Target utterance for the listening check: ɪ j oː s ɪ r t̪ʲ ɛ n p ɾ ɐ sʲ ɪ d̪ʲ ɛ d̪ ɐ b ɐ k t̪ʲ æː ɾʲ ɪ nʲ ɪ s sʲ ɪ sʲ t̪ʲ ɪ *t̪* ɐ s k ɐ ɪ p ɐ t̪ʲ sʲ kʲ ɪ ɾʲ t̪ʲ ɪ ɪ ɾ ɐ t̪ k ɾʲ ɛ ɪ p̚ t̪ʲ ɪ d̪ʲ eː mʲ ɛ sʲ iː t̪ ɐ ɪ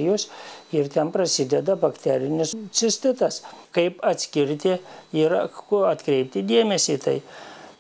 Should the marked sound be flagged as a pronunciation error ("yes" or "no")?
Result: no